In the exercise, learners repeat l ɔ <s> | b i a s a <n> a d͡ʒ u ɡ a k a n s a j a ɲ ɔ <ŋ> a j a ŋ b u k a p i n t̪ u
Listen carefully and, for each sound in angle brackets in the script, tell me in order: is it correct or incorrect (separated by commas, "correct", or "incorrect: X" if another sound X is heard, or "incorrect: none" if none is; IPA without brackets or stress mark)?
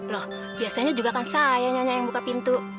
incorrect: h, incorrect: ɲ, incorrect: ɲ